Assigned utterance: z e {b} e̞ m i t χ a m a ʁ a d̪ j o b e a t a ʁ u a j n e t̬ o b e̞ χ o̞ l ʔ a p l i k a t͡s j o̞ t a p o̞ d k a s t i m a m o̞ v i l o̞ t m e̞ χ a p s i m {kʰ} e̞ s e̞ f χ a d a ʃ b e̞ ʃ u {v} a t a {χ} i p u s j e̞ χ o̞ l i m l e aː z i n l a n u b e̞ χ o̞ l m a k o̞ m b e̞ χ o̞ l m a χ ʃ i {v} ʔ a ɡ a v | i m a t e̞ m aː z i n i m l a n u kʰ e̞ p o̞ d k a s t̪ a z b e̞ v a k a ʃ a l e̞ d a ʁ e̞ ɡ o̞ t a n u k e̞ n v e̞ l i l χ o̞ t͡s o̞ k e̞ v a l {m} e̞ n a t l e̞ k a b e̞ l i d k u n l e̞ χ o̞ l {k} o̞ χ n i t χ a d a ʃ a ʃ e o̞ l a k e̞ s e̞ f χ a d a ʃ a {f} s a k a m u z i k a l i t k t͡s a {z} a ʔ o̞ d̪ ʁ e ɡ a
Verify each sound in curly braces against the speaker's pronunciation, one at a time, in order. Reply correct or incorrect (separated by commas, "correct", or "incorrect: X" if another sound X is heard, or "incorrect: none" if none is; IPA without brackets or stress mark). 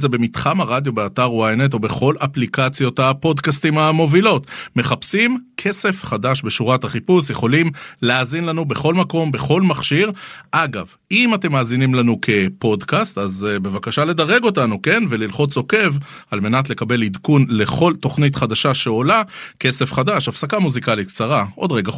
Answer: correct, correct, incorrect: ʁ, correct, incorrect: ʁ, correct, incorrect: t, correct, incorrect: ʁ